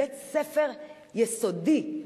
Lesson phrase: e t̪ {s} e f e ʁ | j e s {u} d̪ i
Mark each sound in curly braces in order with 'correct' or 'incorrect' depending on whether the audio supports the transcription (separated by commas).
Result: correct, incorrect